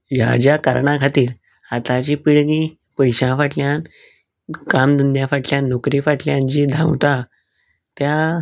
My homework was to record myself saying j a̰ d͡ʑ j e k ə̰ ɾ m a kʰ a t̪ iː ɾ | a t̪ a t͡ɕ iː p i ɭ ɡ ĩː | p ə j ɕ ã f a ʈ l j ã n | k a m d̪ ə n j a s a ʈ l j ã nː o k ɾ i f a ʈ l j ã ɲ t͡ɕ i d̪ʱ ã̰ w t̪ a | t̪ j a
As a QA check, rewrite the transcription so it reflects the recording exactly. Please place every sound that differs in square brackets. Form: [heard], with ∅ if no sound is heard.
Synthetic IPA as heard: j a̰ d͡ʑ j [a] k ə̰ ɾ [ɳ] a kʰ a t̪ iː ɾ | a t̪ a t͡ɕ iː p i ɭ ɡ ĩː | p ə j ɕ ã f a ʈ l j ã n | k a m d̪ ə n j a [f] a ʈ l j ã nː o k ɾ i f a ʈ l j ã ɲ t͡ɕ i d̪ʱ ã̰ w t̪ a | t̪ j a